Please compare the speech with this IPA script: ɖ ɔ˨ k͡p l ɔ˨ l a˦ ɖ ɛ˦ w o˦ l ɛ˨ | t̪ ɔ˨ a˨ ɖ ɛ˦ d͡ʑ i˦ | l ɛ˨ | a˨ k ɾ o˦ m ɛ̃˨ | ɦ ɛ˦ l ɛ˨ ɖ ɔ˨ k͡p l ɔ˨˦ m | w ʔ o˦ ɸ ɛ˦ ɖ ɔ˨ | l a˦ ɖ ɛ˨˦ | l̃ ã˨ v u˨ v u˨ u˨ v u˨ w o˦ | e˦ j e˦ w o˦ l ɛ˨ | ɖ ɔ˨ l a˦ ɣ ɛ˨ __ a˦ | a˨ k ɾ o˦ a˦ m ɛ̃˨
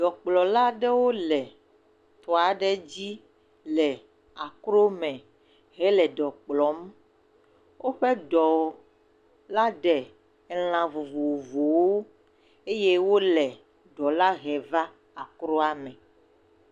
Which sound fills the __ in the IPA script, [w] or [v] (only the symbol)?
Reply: v